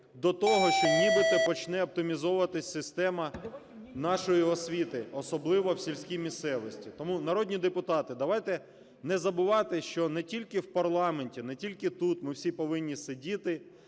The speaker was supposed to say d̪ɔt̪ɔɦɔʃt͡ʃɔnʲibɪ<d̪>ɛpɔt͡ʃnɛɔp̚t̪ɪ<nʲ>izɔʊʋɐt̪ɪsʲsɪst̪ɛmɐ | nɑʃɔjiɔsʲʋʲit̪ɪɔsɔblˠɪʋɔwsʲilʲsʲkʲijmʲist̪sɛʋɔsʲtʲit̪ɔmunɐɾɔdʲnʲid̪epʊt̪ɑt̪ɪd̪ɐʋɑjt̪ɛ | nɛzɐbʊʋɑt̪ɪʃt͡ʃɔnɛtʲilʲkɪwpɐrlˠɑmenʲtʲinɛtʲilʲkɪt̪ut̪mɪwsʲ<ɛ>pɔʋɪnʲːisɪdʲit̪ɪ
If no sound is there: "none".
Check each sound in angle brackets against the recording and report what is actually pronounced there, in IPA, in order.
t̪, mʲ, i

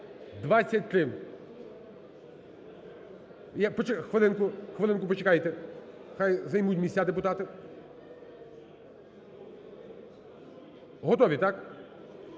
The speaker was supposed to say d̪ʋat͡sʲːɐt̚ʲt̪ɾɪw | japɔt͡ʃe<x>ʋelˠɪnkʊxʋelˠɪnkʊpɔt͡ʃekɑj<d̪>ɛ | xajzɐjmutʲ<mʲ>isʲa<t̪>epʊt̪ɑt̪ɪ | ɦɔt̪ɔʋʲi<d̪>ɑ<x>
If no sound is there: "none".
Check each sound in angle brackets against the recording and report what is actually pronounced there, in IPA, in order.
x, t̪, mʲ, d̪, t̪, k

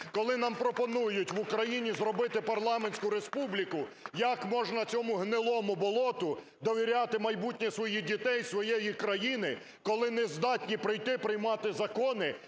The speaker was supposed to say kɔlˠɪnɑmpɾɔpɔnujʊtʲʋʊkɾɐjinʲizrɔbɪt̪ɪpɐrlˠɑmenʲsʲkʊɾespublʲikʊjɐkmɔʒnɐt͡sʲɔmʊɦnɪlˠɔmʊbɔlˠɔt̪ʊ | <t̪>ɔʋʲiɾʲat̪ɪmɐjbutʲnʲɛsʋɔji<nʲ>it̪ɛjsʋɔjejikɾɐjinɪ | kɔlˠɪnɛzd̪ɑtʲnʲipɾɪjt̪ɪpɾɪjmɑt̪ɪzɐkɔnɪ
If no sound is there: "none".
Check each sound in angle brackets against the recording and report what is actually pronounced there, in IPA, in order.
d̪, dʲ

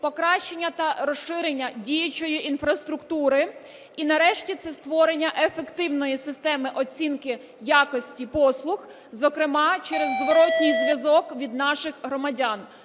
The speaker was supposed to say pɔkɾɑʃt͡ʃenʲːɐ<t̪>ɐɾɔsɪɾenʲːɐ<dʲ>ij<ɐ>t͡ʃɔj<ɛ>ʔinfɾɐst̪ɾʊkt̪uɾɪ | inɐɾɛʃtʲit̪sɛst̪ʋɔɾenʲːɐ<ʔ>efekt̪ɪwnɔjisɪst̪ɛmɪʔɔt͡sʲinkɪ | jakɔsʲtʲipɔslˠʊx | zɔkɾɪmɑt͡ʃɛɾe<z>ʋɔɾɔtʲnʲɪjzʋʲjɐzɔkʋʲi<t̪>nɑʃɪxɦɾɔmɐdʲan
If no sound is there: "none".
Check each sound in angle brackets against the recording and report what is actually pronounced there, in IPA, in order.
t̪, dʲ, ɐ, i, ʔ, zː, d̪

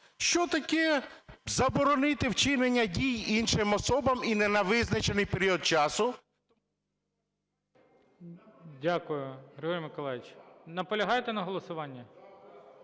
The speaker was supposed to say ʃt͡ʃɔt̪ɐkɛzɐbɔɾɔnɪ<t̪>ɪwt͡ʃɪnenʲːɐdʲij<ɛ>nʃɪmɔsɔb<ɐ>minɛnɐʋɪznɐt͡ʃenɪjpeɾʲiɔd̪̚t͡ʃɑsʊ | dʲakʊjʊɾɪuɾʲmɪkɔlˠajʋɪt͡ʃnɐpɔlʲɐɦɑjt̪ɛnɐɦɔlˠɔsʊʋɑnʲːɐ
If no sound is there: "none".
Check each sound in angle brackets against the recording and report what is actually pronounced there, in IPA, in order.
t̪, i, ɐ

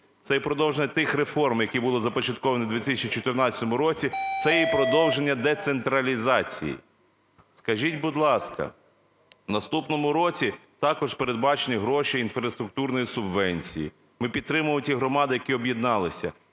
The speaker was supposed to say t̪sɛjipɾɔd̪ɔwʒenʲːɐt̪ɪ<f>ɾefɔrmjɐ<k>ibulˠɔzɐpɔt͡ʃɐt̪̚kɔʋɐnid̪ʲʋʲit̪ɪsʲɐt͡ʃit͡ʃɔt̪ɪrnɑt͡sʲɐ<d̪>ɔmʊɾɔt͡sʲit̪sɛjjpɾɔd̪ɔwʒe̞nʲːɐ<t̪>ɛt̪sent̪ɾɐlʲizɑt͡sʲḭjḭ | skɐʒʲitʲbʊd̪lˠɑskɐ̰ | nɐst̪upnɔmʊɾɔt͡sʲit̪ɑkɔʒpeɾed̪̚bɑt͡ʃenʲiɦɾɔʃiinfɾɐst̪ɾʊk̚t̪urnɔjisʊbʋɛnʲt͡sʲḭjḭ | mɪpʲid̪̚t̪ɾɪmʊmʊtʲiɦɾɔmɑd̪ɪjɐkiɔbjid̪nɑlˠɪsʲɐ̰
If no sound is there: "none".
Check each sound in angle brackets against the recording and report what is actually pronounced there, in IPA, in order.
x, k, t̪, d̪

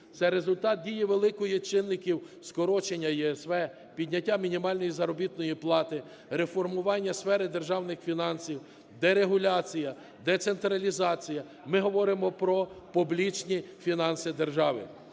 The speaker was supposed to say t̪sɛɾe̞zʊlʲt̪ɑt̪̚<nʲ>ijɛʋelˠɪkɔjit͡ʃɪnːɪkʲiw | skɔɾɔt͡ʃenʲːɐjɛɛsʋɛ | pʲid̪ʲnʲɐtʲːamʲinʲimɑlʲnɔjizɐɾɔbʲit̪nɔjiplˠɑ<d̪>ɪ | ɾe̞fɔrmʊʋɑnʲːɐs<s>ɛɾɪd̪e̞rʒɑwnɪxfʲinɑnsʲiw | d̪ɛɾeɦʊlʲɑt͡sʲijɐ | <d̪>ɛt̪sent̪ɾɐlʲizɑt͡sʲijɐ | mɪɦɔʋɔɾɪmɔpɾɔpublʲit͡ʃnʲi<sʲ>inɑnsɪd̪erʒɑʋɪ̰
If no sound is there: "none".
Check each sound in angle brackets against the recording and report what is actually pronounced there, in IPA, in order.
dʲ, t̪, f, d̪, fʲ

